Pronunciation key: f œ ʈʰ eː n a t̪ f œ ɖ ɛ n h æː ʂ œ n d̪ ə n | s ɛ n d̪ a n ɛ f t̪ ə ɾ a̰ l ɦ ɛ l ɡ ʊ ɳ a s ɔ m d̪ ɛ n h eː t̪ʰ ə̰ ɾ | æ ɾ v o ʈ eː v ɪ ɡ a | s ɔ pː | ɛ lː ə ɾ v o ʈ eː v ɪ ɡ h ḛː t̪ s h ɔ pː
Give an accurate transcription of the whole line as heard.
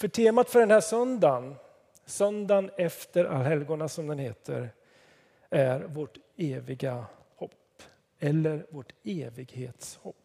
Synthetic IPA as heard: f œ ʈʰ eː m a t̪ f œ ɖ ɛ n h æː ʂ œ n d̪ a n | s œ n d̪ a n ɛ f t̪ ə ɾ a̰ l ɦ ɛ l ɡ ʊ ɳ a s ɔ m d̪ ɛ n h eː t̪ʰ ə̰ ɾ | æ ɾ v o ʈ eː v ɪ ɡ a | h ɔ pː | ɛ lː ə ɾ v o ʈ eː v ɪ ɡ h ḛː t̪ s h ɔ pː